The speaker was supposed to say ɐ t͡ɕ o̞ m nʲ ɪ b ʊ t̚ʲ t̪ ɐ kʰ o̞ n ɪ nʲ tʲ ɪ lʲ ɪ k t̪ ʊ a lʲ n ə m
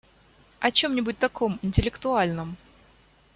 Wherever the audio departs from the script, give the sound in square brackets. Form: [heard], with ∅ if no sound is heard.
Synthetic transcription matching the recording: ɐ t͡ɕ o̞ m nʲ ɪ b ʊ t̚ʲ t̪ ɐ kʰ o̞ [m] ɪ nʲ tʲ ɪ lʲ ɪ k t̪ ʊ a lʲ n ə m